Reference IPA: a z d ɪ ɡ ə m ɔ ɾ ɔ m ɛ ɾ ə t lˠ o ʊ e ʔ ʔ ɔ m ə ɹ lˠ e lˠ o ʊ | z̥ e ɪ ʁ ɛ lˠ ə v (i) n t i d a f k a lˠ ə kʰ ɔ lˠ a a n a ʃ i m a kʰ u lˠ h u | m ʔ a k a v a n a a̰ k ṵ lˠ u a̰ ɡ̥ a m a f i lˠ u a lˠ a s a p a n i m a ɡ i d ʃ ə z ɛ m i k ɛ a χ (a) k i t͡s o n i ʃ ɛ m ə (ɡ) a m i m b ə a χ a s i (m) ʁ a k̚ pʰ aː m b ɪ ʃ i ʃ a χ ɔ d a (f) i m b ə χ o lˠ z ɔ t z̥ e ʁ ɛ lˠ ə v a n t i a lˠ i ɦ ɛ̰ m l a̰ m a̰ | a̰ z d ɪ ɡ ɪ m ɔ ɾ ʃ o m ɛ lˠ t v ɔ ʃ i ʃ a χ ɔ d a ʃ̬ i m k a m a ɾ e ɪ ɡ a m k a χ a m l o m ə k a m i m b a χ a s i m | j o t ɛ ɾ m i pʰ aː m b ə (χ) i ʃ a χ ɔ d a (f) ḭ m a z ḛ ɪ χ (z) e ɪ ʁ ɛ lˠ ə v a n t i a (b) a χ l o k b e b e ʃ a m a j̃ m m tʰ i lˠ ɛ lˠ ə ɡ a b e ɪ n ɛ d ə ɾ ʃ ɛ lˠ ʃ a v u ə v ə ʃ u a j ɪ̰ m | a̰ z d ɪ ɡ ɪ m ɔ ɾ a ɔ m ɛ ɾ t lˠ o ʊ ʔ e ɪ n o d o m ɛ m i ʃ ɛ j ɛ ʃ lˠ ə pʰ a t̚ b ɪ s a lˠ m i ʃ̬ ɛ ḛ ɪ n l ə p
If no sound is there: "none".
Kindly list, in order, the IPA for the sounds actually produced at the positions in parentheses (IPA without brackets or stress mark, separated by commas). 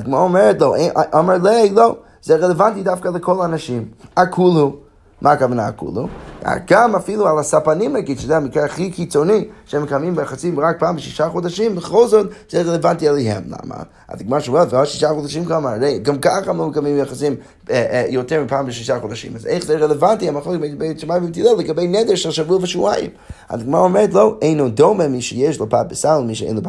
a, i, k, m, ʃ, ʃ, ʃ, z, m